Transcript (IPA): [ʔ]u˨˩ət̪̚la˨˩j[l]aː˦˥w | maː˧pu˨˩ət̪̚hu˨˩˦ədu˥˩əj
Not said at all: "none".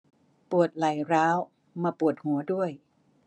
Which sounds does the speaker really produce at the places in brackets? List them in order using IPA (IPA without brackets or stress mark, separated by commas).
p, ɾ